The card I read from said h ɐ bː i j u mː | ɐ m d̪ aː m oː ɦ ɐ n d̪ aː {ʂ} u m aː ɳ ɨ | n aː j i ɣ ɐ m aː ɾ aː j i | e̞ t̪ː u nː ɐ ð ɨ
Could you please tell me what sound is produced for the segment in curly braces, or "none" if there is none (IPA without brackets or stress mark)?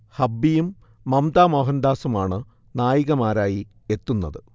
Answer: s